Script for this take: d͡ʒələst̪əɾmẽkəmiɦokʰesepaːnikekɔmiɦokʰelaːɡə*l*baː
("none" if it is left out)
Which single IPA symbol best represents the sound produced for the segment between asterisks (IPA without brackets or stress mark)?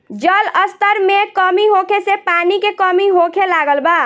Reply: l